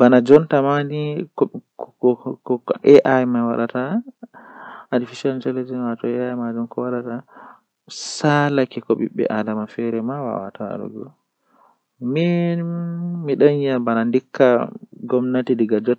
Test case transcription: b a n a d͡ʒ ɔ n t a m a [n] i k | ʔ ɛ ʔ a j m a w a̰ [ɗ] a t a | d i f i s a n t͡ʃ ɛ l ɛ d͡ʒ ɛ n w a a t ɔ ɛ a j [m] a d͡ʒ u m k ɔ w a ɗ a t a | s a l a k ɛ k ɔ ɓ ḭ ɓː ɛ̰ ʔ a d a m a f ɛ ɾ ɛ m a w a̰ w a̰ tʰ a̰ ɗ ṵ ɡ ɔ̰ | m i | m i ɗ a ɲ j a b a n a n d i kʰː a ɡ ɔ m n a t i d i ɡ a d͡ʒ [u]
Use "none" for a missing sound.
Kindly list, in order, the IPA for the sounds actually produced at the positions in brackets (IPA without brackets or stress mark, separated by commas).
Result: n, ɗ, m, ɔ